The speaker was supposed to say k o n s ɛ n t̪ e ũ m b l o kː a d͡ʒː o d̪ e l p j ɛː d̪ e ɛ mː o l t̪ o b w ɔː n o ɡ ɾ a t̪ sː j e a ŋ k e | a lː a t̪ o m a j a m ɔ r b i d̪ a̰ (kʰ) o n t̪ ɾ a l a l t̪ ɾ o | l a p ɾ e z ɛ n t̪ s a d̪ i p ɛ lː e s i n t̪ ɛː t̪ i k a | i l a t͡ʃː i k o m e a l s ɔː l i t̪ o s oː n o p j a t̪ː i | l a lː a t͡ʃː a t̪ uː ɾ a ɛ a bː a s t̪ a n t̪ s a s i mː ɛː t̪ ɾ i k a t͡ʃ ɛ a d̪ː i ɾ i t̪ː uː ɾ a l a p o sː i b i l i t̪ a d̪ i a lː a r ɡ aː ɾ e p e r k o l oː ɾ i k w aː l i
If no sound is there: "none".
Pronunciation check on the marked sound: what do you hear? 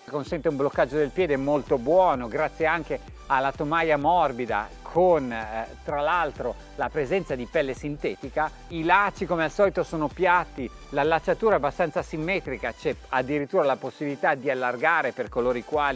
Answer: kʰ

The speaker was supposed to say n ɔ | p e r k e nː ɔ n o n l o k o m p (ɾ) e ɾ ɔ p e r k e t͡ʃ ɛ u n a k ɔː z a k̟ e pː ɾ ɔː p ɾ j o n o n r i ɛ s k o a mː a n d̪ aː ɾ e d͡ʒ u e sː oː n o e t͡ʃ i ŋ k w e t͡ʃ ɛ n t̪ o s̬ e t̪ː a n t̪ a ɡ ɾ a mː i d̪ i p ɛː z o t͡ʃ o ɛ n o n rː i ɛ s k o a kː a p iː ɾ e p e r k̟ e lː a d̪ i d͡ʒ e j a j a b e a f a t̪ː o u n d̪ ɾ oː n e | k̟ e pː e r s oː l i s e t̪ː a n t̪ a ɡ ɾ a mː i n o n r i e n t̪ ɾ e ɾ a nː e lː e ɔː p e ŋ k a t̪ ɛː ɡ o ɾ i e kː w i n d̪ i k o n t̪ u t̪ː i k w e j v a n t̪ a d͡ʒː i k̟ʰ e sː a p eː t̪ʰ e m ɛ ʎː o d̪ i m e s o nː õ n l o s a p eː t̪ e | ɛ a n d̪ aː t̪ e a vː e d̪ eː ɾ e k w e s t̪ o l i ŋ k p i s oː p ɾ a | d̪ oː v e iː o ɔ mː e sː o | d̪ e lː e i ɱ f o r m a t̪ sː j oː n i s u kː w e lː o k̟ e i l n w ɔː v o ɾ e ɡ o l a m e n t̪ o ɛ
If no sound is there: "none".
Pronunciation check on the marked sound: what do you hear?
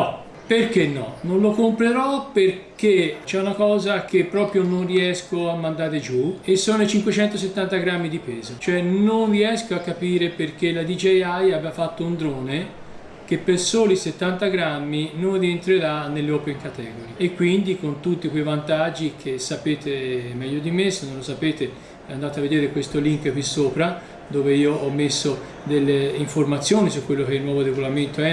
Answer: ɾ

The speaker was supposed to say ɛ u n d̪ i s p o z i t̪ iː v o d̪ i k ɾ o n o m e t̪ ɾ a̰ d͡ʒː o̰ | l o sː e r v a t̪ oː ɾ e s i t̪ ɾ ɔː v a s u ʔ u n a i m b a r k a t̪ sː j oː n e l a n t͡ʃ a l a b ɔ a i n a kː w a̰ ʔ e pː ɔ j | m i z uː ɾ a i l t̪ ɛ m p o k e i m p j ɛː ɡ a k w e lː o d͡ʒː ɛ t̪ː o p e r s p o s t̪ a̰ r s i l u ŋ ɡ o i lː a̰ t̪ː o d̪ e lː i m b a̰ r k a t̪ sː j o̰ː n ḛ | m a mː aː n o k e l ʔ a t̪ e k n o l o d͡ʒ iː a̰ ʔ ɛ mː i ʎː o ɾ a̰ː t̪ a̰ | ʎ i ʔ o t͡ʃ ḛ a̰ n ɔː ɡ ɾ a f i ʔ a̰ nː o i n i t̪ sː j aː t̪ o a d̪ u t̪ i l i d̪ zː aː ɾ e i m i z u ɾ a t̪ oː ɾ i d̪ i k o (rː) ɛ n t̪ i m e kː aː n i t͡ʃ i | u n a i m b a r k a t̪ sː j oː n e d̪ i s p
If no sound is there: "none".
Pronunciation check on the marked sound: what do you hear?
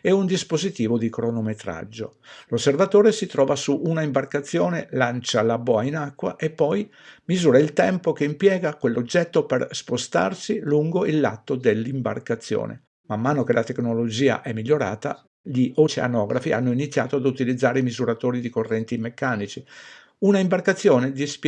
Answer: rː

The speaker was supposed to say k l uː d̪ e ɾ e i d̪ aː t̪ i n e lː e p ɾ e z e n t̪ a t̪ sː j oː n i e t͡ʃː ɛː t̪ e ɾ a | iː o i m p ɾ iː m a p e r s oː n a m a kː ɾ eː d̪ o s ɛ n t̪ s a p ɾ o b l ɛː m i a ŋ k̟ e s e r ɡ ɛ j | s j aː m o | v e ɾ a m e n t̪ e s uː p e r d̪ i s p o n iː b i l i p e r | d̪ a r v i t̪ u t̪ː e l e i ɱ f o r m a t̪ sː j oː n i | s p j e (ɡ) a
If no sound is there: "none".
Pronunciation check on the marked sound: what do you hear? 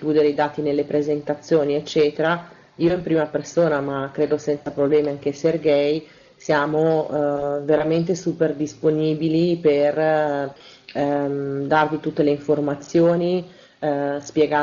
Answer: ɡ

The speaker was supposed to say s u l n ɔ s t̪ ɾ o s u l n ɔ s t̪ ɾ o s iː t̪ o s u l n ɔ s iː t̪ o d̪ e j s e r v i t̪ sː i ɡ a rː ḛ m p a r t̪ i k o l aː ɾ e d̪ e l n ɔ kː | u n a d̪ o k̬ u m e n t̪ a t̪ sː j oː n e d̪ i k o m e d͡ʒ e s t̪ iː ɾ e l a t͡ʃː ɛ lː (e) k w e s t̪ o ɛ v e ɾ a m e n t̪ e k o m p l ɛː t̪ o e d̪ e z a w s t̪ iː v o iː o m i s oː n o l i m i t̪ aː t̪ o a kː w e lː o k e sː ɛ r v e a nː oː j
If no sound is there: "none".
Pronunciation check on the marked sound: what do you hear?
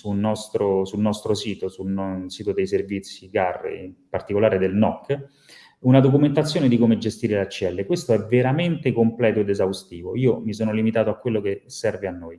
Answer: e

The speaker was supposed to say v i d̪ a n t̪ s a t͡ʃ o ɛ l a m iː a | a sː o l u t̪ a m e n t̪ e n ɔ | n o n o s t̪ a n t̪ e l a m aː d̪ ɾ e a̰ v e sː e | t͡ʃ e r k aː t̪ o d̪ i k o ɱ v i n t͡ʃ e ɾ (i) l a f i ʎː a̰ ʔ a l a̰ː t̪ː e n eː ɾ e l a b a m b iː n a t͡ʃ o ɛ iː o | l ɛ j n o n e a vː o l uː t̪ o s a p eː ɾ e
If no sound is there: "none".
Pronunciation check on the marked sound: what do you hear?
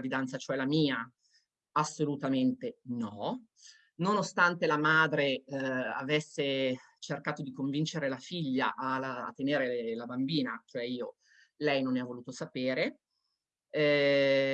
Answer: e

